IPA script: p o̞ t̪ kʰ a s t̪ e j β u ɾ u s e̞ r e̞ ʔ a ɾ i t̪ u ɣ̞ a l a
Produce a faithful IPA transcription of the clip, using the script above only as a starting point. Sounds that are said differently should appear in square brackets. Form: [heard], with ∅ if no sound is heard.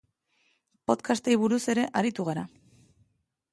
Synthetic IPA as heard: p o̞ t̪ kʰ a s t̪ e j β u ɾ u s e̞ [ɾ] e̞ ʔ a ɾ i t̪ u ɣ̞ a [ɾ] a